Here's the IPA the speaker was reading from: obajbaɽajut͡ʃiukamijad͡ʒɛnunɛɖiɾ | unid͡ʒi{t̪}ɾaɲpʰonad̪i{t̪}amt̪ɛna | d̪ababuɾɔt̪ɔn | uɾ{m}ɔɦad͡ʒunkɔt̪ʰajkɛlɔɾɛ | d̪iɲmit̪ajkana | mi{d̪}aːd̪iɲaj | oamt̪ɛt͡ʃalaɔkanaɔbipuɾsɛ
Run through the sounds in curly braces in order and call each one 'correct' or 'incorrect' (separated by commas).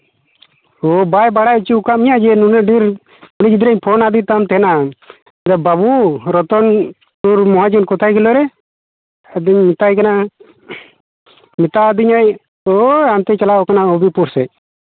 incorrect, correct, correct, incorrect